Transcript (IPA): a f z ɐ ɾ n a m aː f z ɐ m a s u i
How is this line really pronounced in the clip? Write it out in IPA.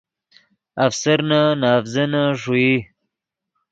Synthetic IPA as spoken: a f s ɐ ɾ n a n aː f z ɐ n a ʂ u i